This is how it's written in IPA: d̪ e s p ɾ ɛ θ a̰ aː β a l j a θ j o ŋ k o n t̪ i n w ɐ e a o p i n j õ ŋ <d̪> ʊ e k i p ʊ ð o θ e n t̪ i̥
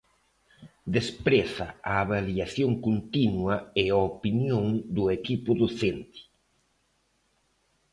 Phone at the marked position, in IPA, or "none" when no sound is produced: d̪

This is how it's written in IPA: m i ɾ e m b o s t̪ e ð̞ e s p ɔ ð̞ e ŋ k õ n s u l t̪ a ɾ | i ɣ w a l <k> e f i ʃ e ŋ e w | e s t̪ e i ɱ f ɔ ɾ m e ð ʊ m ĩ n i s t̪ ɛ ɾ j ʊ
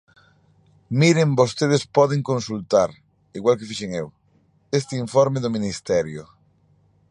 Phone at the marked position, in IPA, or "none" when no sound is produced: k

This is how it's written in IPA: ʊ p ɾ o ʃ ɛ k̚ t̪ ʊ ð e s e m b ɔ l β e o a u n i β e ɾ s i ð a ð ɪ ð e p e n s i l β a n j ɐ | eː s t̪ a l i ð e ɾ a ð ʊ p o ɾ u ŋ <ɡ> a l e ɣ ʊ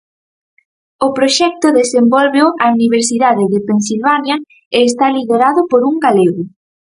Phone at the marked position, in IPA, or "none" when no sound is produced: ɡ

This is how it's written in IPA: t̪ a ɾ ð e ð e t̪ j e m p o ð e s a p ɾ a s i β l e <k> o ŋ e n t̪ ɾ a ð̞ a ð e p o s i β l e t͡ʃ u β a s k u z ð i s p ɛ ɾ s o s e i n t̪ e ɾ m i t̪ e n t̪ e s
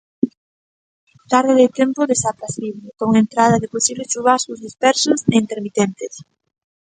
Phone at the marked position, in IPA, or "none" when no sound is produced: k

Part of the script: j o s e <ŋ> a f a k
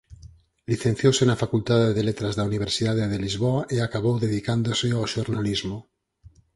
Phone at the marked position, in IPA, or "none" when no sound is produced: n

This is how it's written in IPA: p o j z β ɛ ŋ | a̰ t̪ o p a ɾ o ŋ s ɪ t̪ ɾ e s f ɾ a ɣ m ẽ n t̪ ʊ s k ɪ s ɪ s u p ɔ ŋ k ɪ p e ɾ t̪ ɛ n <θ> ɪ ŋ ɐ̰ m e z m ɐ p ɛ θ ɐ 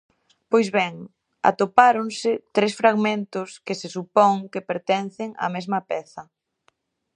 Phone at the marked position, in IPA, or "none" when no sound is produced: θ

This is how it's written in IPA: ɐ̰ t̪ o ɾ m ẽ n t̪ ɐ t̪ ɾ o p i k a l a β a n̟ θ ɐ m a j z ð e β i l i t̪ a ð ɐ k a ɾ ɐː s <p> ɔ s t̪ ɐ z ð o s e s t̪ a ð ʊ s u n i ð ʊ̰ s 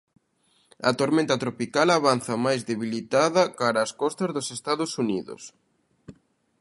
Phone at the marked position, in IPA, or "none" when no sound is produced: k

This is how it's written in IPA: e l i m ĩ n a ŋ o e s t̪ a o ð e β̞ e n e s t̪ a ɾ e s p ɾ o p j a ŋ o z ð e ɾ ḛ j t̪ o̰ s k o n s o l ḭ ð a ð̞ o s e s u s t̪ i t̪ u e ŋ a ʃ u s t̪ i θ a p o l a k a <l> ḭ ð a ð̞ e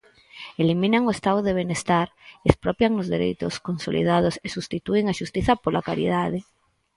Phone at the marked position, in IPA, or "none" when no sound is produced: ɾ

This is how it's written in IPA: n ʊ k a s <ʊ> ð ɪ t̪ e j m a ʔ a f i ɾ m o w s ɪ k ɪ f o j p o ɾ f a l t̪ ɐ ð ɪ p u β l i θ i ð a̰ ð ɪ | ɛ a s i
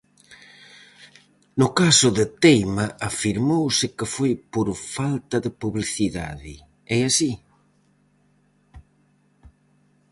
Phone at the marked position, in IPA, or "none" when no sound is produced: ʊ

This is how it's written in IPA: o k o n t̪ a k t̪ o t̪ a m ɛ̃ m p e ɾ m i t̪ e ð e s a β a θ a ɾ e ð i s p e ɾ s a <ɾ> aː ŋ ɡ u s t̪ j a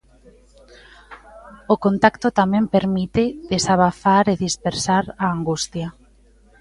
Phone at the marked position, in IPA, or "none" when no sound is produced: ɾ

